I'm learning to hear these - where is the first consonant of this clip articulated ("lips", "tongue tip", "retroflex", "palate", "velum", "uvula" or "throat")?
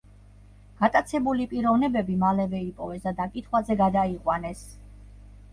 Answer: velum